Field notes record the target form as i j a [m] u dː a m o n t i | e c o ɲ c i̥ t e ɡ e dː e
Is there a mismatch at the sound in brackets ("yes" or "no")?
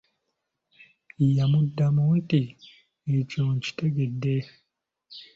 no